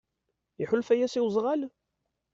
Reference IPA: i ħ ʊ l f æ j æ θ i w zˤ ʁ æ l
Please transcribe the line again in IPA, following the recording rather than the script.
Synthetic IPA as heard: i ħ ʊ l f æ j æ s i w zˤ ʁ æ l